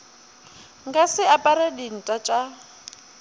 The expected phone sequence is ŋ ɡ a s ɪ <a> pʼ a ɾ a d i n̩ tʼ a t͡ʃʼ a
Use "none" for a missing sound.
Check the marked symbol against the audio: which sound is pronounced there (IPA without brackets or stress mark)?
a